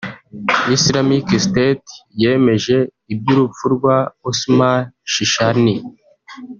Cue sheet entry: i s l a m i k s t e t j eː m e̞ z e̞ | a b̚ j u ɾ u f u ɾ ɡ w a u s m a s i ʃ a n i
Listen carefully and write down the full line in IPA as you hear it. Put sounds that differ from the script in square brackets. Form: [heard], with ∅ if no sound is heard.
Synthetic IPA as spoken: i s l a m i k s t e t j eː m e̞ [ʒ] e̞ | [i] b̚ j u ɾ u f u ɾ ɡ w a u s m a [ʃ] i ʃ a n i